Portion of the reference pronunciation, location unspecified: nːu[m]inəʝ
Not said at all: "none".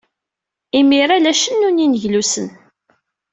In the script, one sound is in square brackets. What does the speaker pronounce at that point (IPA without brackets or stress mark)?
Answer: n